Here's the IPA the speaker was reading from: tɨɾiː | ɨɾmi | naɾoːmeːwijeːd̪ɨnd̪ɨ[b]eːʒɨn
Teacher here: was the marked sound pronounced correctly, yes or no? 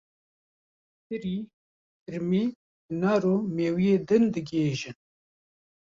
no